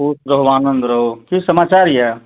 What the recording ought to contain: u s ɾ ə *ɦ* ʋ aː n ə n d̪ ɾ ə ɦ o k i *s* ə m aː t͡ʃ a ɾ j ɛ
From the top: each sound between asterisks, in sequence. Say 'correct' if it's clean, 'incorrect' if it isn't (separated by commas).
correct, correct